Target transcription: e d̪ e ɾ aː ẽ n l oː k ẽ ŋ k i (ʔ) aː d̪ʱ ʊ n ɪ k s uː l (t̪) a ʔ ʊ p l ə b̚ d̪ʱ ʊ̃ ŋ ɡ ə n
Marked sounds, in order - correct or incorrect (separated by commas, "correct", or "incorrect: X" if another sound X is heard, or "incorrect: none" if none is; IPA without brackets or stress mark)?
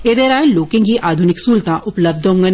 correct, correct